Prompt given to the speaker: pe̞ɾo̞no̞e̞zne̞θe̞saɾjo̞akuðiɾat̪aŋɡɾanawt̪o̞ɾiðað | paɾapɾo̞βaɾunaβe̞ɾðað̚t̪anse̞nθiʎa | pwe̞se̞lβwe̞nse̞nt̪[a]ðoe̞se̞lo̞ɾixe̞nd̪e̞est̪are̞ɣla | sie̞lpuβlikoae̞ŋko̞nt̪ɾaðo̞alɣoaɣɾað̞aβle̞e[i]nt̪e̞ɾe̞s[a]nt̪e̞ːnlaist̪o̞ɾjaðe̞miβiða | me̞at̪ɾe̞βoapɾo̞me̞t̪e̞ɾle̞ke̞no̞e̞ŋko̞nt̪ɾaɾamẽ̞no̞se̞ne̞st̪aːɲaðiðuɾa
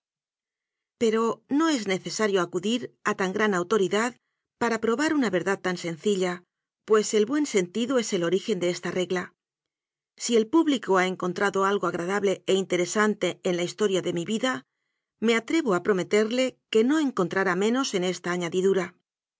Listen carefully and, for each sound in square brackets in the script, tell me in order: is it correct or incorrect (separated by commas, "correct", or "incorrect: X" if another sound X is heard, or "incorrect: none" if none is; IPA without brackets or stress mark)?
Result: incorrect: i, correct, correct